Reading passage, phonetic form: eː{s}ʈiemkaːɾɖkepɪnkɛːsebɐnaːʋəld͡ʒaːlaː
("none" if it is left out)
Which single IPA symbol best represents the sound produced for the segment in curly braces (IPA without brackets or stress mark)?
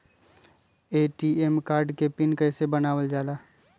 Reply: none